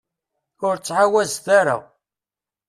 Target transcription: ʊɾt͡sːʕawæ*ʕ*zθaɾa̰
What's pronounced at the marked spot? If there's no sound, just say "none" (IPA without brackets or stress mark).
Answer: none